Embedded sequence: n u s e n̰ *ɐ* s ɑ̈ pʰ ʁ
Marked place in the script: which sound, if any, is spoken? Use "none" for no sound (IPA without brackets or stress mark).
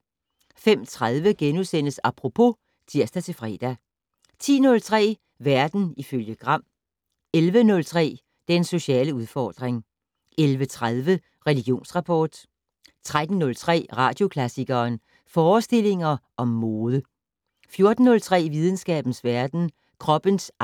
ə